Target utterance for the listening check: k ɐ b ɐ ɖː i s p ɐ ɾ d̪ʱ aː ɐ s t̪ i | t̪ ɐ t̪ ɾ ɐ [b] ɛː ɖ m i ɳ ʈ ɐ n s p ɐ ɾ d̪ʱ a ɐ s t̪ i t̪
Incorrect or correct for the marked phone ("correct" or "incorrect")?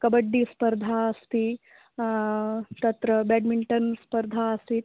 correct